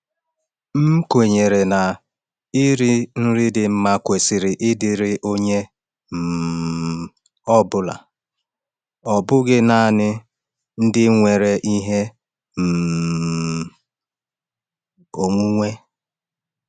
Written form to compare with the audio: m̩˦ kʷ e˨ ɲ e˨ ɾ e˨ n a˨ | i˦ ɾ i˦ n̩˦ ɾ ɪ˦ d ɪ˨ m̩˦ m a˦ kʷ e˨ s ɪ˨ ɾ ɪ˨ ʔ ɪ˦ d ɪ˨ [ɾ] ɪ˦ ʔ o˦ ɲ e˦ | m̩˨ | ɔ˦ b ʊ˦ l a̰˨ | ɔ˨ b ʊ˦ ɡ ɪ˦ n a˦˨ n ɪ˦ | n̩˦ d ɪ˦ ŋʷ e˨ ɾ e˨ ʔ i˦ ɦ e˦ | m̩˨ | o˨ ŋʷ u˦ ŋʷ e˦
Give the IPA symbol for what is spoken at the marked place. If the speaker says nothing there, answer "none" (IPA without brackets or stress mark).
ɾ